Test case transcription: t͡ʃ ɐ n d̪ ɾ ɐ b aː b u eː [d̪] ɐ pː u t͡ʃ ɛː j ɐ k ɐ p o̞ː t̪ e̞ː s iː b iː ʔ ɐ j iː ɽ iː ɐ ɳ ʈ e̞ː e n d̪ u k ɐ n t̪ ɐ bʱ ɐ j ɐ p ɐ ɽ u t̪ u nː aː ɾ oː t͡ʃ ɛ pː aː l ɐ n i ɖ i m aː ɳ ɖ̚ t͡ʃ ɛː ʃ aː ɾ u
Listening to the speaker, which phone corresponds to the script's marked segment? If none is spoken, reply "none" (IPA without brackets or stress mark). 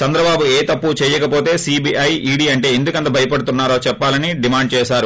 t̪